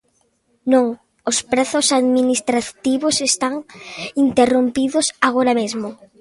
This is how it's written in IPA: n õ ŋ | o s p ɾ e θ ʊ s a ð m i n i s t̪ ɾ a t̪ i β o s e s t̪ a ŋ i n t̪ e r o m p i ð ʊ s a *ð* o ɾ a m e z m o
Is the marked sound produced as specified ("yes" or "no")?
no